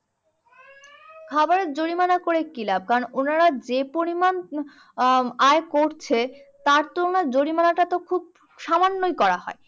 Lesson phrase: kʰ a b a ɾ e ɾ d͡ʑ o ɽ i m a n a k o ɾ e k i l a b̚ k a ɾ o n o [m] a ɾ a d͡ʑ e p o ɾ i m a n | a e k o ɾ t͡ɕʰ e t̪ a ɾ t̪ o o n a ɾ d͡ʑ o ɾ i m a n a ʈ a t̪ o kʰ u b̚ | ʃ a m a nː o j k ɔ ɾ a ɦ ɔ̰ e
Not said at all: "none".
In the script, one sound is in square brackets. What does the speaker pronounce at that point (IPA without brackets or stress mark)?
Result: n